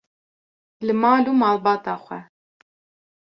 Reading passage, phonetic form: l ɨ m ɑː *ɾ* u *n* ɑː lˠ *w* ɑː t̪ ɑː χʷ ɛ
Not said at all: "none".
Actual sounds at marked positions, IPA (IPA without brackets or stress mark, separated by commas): l, m, b